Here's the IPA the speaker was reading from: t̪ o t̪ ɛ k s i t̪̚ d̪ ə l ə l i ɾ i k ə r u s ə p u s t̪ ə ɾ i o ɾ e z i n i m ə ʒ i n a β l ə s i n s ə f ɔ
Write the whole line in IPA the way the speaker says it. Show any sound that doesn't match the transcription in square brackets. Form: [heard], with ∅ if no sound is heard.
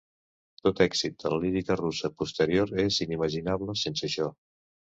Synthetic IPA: t̪ o t̪ ɛ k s i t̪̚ d̪ ə l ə l i ɾ i k ə r u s ə p u s t̪ ə ɾ i o ɾ e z i n i m ə ʒ i n a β l ə s [e] n s ə [ʃ] ɔ